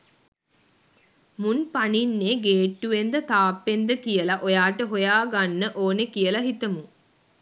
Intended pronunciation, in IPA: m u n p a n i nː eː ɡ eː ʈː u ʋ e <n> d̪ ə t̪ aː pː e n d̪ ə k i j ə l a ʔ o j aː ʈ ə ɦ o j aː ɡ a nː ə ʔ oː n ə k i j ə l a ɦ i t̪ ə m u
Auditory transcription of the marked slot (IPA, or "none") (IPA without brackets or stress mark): n